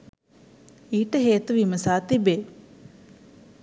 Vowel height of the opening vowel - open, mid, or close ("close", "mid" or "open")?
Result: close